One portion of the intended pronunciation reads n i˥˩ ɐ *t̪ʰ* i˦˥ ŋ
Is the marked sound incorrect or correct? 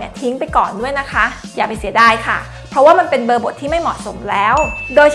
correct